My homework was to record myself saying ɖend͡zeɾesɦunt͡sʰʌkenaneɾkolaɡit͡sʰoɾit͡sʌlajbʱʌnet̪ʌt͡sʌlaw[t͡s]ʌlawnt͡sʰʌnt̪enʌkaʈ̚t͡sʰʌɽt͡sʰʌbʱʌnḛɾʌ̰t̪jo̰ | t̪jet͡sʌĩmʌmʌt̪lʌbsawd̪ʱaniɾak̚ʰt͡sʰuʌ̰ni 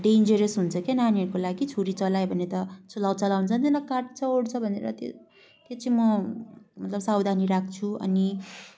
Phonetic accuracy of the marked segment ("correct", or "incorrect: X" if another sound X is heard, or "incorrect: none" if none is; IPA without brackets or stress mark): correct